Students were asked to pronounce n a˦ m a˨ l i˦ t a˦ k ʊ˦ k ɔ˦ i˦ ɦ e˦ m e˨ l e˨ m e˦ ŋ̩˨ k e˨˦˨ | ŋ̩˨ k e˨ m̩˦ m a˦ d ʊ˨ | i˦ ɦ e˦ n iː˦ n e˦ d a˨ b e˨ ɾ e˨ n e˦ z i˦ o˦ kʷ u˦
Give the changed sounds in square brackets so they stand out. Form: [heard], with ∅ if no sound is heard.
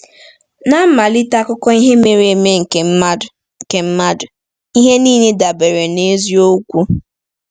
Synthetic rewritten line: n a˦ m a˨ l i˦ t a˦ k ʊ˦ k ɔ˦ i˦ ɦ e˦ m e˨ [ɾ] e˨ m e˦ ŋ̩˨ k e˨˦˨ | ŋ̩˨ k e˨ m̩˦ m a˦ d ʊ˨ | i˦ ɦ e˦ n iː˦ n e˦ d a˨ b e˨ ɾ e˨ n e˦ z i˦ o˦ kʷ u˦